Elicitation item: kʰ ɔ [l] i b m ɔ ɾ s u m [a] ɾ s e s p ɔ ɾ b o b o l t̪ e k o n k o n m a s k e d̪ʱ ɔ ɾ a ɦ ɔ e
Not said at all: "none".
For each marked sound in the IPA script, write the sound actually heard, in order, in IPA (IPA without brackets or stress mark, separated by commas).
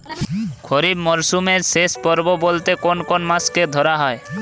ɾ, e